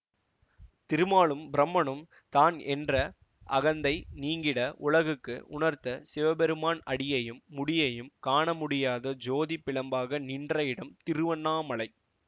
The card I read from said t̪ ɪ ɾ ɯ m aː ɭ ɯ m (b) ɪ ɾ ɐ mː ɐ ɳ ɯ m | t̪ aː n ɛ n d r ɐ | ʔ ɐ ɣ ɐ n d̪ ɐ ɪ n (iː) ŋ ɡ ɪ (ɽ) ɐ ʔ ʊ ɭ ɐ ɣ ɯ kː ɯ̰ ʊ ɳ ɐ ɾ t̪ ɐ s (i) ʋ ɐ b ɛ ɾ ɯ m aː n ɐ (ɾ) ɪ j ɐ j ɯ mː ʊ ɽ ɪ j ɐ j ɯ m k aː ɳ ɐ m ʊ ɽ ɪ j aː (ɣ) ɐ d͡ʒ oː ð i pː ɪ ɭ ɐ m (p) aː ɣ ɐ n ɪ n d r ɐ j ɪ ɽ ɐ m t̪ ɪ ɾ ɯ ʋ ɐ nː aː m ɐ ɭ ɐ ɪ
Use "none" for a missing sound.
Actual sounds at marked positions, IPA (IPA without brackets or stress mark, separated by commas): b, iː, ɽ, ɪ, ɽ, ð, b